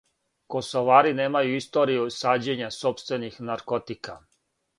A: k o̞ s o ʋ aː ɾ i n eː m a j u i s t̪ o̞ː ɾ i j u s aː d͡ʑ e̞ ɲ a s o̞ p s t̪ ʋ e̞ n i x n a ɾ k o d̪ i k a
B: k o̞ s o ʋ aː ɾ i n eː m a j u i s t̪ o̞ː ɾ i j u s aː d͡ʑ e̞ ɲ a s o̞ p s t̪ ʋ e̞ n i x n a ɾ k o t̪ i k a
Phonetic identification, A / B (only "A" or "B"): B